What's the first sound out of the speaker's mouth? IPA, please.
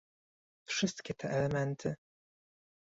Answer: f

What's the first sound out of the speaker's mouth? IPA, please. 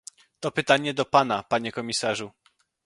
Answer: t̪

